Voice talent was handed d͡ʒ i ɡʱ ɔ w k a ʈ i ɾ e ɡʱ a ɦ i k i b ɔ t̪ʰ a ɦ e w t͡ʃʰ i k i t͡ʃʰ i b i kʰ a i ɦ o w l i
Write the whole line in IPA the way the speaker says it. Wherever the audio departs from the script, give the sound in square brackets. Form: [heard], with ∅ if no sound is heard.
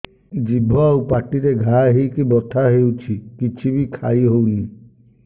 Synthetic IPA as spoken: d͡ʒ i [bʱ] ɔ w [p] a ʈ i ɾ e ɡʱ a ɦ i k i b ɔ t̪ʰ a ɦ e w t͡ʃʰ i k i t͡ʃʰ i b i kʰ a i ɦ o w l i